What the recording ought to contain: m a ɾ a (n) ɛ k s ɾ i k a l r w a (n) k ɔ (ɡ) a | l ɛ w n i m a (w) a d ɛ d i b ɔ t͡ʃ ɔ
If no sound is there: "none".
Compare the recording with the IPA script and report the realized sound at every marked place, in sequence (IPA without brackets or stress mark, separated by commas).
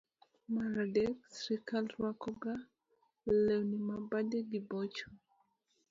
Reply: d, none, ɡ, b